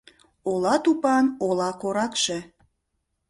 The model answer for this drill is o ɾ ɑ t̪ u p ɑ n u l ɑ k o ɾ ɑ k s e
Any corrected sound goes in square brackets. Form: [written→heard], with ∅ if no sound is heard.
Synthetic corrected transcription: o [ɾ→l] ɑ t̪ u p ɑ n [u→o] l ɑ k o ɾ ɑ k [s→ʃ] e